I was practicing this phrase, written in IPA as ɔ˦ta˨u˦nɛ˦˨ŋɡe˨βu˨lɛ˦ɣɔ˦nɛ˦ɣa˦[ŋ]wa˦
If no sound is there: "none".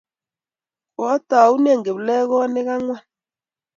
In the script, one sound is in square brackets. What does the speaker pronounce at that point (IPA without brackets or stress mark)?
ŋ